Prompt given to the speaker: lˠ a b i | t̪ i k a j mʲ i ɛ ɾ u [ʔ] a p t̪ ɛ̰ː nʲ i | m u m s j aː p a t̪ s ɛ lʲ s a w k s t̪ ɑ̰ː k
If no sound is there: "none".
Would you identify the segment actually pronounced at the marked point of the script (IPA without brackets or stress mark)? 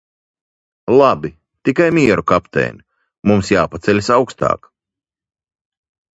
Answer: k